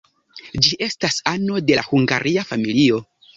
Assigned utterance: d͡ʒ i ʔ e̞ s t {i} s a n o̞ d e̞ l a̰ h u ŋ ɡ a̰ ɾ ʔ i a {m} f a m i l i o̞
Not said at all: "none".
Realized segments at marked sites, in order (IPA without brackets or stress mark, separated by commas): a, none